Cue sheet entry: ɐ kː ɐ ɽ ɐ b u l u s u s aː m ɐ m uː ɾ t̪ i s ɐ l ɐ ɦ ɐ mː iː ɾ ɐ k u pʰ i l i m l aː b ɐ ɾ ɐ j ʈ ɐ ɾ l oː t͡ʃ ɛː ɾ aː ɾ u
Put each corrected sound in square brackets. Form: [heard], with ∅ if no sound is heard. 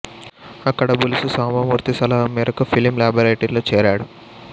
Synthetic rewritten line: ɐ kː ɐ ɽ ɐ b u l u s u s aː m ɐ m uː ɾ t̪ i s ɐ l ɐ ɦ ɐ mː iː ɾ ɐ k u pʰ i l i m l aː b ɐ ɾ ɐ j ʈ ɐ ɾ l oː t͡ʃ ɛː ɾ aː [ɽ] u